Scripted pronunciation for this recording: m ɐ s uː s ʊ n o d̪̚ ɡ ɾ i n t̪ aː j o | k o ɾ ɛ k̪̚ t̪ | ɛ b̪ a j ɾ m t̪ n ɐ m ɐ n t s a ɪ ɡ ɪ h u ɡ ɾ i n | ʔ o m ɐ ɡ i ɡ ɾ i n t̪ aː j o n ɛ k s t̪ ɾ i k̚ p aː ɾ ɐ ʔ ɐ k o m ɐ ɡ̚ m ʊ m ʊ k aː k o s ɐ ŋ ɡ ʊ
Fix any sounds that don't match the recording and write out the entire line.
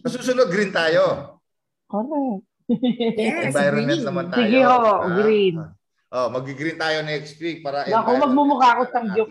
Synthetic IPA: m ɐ s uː s ʊ n o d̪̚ ɡ ɾ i n t̪ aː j o | k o ɾ ɛ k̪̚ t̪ | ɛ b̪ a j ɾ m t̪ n ɐ m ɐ n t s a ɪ ɡ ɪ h o ɡ ɾ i n | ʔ o m ɐ ɡ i ɡ ɾ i n t̪ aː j o n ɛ k s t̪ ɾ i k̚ p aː ɾ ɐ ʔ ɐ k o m ɐ ɡ̚ m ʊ m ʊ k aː k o s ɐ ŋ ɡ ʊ